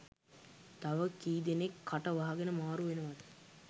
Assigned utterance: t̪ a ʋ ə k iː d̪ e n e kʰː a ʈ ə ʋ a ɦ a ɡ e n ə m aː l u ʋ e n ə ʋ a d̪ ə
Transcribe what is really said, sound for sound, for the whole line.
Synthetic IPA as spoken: t̪ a ʋ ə k iː d̪ e n e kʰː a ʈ ə ʋ a ɦ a ɡ e n ə m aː ɾ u ʋ e n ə ʋ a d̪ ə